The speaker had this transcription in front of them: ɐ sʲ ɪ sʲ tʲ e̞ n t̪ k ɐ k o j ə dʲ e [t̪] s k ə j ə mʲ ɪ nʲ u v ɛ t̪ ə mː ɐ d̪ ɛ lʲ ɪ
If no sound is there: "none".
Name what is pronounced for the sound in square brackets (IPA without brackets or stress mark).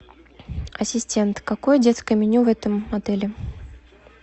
t̪